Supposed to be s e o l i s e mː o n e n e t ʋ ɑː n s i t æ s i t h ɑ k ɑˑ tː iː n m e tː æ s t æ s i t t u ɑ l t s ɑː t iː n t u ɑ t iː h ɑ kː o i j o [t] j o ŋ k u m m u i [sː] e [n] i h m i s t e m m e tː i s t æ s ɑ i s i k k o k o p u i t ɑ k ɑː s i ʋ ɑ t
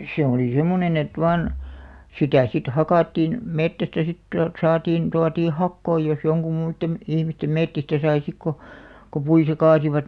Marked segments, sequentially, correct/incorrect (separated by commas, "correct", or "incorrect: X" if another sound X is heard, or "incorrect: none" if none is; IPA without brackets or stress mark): incorrect: s, incorrect: tː, incorrect: m